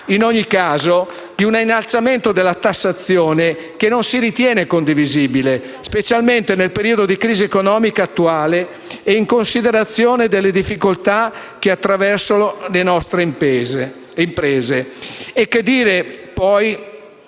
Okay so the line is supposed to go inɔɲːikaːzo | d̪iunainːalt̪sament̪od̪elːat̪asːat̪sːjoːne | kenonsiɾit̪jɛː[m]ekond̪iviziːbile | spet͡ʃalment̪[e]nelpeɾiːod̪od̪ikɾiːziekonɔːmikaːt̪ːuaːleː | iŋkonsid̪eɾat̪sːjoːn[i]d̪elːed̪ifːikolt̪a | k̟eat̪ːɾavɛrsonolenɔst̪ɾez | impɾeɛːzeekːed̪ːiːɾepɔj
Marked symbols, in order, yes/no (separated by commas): no, yes, no